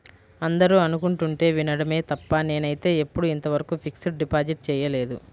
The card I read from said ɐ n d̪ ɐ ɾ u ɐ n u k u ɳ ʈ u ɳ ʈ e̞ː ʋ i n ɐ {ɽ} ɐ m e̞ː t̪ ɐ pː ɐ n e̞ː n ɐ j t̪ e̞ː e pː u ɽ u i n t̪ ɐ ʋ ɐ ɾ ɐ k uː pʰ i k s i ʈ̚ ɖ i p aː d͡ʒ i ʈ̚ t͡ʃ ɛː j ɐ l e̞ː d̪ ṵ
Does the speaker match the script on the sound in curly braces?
yes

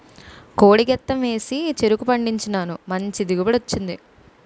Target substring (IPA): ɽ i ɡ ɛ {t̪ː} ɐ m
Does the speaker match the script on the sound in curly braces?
yes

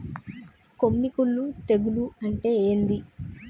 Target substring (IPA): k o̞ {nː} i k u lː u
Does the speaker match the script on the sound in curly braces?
no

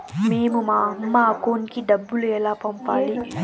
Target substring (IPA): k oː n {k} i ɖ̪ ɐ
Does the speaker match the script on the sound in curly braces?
yes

